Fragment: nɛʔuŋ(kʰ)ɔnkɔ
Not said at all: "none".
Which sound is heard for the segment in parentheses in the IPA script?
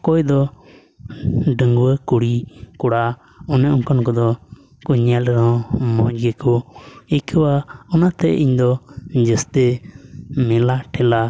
k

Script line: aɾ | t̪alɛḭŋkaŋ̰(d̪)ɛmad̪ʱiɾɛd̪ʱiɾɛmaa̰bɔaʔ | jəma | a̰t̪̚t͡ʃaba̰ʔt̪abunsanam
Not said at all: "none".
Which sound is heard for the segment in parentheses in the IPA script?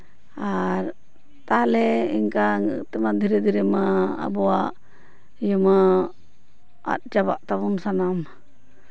t̪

